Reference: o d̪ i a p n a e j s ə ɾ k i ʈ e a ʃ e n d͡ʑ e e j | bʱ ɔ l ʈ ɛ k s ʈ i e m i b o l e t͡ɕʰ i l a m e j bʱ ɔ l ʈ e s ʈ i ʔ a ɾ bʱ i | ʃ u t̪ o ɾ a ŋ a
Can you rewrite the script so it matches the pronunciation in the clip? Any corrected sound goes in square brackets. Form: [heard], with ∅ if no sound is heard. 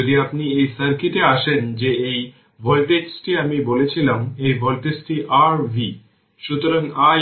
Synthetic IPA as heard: o d̪ i a p n [i] e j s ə ɾ k i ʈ e a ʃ e n d͡ʑ e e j | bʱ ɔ l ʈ [e] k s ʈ i [a] m i b o l e t͡ɕʰ i l a m e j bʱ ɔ l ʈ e s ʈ i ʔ a ɾ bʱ i | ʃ u t̪ o ɾ a ŋ a